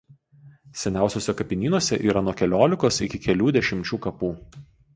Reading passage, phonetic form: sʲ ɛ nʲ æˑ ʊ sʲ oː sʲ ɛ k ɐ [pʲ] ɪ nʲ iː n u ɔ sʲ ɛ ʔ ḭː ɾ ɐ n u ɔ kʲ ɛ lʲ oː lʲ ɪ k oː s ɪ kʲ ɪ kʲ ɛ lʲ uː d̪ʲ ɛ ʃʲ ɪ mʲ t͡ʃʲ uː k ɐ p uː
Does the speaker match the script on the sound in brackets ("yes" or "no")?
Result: yes